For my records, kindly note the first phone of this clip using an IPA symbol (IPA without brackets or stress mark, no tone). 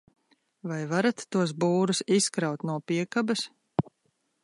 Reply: v